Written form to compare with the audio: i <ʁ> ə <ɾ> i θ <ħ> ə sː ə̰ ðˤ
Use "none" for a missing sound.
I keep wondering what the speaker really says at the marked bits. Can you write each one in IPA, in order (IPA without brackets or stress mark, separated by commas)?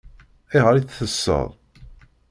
ʁ, ɾ, θ